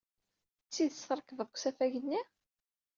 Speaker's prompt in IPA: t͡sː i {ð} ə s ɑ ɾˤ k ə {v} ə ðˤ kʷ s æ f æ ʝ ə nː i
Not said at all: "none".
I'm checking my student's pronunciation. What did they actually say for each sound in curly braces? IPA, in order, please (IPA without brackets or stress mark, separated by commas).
ð, v